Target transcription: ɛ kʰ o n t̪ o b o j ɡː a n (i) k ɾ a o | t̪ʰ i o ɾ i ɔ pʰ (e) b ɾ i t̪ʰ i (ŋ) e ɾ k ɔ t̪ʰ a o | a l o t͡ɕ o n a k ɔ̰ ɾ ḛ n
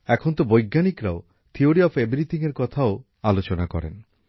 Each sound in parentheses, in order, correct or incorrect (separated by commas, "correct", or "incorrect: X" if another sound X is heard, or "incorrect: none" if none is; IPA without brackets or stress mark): correct, correct, correct